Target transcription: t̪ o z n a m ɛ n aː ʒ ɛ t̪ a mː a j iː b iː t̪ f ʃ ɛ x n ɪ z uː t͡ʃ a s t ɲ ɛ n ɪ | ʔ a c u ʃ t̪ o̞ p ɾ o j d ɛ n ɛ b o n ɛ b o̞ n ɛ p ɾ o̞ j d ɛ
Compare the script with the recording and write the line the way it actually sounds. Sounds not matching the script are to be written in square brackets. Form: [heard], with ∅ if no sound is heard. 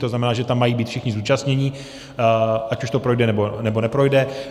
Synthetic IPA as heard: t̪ o z n a m ɛ n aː ʒ ɛ t̪ a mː a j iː b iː t̪ f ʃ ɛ x [ɲ] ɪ z uː t͡ʃ a s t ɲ ɛ [ɲ] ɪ | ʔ a c u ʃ t̪ o̞ p ɾ o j d ɛ n ɛ b o n ɛ b o̞ n ɛ p ɾ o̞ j d ɛ